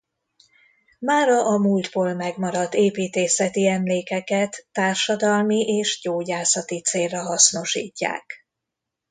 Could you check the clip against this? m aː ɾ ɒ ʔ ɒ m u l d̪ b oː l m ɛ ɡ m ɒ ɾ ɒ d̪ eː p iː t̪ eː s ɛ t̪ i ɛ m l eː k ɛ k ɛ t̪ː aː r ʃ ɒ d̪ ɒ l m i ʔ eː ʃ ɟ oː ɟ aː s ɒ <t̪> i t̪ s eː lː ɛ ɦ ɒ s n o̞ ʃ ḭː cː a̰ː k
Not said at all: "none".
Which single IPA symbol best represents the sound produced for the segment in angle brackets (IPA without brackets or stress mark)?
t̪